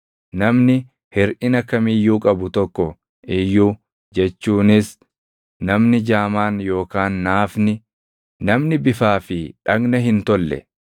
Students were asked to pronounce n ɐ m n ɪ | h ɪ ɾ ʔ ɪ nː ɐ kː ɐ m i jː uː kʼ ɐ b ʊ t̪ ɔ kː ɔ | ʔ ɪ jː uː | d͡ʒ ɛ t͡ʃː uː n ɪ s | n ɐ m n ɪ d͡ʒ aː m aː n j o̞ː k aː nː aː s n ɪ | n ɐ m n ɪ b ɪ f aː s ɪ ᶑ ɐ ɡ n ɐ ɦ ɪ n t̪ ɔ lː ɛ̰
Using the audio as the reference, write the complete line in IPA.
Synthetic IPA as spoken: n ɐ m n ɪ | h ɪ ɾ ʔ ɪ n ɐ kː ɐ m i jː uː kʼ ɐ b ʊ t̪ ɔ kː ɔ | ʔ ɪ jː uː | d͡ʒ ɛ t͡ʃː uː n ɪ s | n ɐ m n ɪ d͡ʒ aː m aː n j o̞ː k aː nː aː f n ɪ | n ɐ m n ɪ b ɪ f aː f ɪ ᶑ ɐ ɡ n ɐ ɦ ɪ n t̪ ɔ lː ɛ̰